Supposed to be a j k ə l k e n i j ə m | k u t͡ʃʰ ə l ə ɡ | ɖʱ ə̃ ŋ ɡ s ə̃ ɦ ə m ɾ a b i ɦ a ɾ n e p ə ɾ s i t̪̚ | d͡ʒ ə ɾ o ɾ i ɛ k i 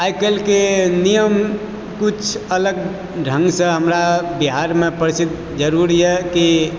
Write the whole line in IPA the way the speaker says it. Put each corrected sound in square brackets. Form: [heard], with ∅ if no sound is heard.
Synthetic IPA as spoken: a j k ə l k e n i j ə m | k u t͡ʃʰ ə l ə ɡ | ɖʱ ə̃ ŋ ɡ s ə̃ ɦ ə m ɾ a b i ɦ a ɾ [m] e p ə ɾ s i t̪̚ | d͡ʒ ə ɾ [u] ɾ i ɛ k i